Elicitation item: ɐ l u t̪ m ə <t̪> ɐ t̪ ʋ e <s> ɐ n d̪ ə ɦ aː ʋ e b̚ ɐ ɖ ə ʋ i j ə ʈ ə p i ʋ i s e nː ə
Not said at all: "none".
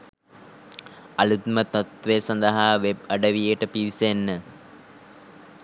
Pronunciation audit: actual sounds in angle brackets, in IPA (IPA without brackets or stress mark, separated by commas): t̪, s